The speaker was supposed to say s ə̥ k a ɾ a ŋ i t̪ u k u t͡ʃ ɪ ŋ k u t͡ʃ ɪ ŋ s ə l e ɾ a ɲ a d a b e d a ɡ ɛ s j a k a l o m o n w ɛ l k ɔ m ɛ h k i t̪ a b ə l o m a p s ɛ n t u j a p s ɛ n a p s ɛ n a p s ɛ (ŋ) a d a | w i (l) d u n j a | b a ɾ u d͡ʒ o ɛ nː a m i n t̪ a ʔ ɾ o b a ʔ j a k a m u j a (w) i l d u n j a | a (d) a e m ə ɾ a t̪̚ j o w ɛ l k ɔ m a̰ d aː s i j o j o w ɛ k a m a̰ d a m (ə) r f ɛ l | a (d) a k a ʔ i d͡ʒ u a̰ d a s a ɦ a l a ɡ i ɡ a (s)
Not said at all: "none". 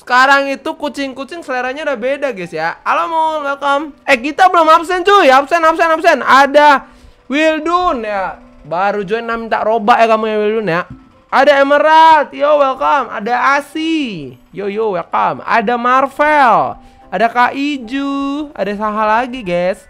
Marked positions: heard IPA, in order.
n, l, w, d, a, d, s

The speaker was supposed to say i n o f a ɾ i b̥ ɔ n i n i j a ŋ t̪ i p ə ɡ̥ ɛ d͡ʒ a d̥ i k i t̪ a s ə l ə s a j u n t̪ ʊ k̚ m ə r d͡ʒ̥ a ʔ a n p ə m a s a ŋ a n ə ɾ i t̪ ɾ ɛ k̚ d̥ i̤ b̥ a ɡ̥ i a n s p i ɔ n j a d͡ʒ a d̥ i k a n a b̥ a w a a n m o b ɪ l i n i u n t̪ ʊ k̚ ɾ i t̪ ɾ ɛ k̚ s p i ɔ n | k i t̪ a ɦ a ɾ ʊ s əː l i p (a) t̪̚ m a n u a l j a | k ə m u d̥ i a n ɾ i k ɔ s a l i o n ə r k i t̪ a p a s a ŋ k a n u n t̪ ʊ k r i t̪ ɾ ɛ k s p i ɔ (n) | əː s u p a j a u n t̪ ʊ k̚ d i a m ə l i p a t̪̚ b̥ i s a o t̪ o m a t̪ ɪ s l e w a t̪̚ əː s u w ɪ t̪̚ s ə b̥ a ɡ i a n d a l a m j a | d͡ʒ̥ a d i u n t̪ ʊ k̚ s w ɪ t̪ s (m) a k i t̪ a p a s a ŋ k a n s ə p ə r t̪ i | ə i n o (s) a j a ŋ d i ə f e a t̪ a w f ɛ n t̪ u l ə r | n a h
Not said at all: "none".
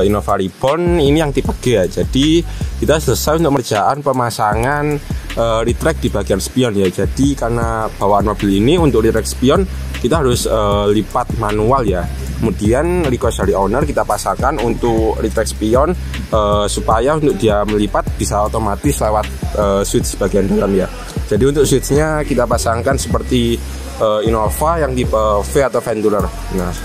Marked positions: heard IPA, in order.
a, n, ɲ, f

